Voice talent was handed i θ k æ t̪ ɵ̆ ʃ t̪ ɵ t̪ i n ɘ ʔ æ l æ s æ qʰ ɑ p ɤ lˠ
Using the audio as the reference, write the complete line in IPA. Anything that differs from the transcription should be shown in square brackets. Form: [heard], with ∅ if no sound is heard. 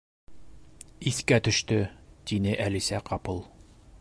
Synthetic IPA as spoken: i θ k æ t̪ ɵ̆ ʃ t̪ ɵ t̪ i n ɘ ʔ æ l [i] s æ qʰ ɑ p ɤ lˠ